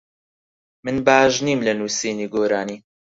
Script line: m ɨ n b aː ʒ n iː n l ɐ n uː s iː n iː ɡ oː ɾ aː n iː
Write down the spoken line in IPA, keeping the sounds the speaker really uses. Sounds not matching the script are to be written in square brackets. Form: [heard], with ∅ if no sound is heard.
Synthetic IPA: m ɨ n b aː ʒ n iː [m] l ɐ n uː s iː n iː ɡ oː ɾ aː n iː